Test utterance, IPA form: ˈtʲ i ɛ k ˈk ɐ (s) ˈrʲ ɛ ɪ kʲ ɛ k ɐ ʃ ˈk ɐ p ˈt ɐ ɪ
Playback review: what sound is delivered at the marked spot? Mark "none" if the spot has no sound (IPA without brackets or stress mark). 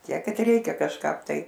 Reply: t